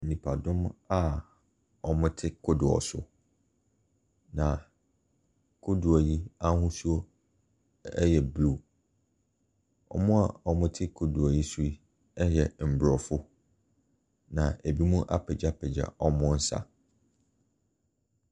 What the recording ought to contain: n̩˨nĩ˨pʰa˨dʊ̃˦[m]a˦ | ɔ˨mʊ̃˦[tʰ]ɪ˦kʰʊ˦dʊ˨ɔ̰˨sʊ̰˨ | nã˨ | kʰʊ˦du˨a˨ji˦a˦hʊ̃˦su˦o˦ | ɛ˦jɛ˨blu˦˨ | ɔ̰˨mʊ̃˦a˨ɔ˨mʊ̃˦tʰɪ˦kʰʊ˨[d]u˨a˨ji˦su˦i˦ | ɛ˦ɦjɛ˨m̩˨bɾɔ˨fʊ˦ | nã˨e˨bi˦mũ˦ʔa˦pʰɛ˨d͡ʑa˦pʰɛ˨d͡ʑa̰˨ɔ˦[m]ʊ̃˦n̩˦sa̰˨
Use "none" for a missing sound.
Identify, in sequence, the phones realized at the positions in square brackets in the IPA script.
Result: m, tʰ, d, m

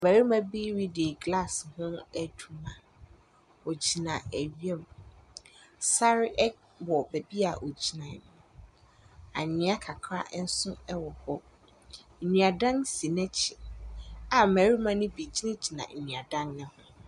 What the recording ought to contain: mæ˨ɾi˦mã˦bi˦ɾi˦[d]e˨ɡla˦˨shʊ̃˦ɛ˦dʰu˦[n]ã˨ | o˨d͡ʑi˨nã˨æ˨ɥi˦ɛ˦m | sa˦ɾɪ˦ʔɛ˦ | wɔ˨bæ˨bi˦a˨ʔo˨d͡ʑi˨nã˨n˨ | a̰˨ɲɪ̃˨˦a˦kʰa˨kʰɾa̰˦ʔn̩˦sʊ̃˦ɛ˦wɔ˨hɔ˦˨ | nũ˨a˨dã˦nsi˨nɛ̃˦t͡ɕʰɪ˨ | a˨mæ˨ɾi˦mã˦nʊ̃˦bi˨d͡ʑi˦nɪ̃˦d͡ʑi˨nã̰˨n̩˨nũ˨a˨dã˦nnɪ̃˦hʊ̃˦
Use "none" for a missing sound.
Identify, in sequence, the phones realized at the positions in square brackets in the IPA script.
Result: d, m

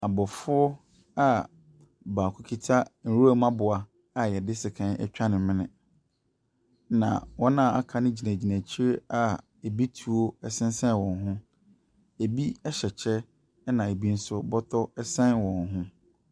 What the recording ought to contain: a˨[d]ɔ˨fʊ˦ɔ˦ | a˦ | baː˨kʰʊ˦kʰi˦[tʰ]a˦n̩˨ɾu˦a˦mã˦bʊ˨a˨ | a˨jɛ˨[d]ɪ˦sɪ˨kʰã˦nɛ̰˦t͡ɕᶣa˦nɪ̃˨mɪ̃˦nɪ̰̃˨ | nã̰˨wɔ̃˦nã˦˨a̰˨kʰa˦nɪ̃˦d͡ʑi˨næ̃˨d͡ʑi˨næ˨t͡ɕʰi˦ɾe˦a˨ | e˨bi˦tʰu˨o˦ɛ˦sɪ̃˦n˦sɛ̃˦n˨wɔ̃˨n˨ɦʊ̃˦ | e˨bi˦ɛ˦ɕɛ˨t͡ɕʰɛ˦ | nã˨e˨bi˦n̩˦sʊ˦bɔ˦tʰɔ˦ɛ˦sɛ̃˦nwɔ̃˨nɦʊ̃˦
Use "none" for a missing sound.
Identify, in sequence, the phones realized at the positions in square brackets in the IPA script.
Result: b, tʰ, d

